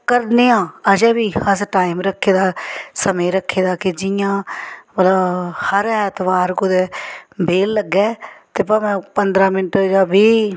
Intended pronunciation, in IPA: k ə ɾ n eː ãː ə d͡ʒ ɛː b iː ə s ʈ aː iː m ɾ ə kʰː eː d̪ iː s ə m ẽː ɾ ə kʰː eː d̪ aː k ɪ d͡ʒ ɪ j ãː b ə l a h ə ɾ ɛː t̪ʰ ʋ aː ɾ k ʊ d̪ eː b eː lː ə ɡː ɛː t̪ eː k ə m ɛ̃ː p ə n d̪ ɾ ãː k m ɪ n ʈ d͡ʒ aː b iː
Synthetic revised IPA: k ə ɾ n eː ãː ə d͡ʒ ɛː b iː ə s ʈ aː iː m ɾ ə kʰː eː d̪ aː s ə m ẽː ɾ ə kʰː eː d̪ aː k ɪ d͡ʒ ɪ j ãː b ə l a h ə ɾ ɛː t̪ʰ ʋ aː ɾ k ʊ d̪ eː b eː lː ə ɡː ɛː t̪ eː p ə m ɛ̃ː p ə n d̪ ɾ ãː m ɪ n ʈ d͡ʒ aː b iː

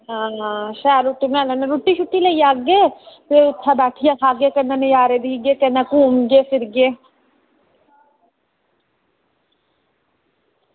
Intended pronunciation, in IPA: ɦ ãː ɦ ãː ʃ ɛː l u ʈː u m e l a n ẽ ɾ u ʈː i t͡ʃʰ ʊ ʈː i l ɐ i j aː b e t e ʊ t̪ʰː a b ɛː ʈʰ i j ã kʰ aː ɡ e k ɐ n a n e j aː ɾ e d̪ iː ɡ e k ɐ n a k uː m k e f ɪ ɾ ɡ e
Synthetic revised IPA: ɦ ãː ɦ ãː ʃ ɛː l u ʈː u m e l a n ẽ ɾ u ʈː i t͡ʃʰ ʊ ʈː i l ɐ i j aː ɡ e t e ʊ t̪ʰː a b ɛː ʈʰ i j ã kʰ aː ɡ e k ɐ n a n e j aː ɾ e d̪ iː ɡ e k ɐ n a k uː m ɡ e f ɪ ɾ ɡ e

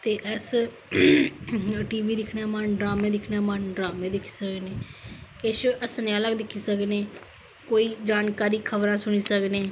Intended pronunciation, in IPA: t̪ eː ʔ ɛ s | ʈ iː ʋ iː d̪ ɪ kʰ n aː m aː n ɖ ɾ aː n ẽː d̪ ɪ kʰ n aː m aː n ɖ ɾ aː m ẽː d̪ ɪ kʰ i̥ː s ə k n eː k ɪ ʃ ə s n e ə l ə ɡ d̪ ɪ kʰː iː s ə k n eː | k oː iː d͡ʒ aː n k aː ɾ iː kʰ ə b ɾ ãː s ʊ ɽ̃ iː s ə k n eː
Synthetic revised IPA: t̪ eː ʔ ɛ s | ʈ iː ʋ iː d̪ ɪ kʰ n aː m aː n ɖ ɾ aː m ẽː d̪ ɪ kʰ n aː m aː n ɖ ɾ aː m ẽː d̪ ɪ kʰ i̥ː s ə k n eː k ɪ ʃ ə s n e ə l ə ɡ d̪ ɪ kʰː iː s ə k n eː | k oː iː d͡ʒ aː n k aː ɾ iː kʰ ə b ɾ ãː s ʊ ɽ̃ iː s ə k n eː

